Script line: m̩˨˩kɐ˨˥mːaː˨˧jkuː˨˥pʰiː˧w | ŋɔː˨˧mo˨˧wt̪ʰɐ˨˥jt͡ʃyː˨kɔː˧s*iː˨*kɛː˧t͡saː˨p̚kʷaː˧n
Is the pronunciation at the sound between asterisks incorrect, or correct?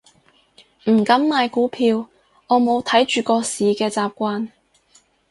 correct